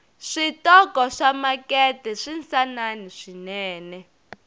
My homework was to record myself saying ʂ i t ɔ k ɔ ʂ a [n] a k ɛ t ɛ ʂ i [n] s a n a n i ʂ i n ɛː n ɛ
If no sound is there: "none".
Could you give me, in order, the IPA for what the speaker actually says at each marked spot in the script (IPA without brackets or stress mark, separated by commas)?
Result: m, n